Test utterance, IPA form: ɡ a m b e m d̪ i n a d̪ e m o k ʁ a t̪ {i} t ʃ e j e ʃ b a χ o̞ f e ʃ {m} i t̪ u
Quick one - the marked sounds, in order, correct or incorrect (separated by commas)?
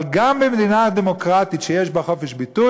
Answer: correct, incorrect